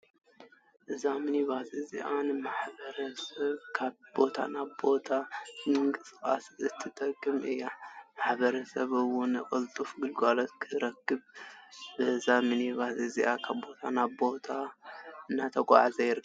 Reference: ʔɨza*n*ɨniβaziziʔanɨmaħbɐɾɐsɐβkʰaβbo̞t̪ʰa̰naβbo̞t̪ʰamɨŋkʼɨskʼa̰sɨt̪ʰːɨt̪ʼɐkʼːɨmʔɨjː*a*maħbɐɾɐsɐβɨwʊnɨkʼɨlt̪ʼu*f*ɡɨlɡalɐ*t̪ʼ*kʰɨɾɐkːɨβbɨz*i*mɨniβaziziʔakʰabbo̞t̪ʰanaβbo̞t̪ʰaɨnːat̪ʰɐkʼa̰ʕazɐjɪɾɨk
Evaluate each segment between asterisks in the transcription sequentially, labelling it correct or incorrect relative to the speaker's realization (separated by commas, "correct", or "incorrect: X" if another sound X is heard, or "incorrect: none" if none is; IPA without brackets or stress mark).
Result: incorrect: m, correct, correct, incorrect: t̪, incorrect: a